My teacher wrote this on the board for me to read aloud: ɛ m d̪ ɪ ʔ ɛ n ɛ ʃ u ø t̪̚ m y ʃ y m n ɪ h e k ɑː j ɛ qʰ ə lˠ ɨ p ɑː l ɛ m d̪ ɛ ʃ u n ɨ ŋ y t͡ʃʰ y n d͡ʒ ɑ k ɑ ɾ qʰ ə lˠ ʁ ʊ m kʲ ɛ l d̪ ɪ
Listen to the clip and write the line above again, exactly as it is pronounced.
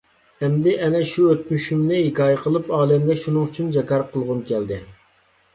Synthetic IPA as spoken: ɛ m d̪ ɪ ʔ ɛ n ɛ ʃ u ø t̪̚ m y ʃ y m n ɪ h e k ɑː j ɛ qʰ ə lˠ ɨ p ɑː l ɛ m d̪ ɛ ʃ u n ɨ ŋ y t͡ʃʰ y n d͡ʒ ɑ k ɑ ɾ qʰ ə lˠ ʁ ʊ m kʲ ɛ l d̪ ɪ